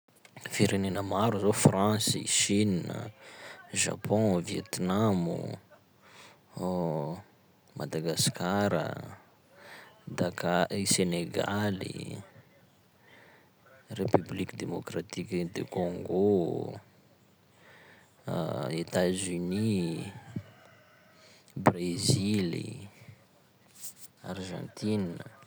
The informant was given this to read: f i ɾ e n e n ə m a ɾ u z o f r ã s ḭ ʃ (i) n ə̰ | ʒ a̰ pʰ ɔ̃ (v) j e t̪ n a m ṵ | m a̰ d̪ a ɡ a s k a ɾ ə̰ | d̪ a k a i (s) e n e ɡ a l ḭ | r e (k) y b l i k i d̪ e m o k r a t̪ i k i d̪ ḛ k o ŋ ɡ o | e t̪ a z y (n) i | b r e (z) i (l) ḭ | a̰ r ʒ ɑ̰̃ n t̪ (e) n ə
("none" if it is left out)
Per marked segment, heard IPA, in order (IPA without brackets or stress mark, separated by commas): i, v, s, p, n, z, l, i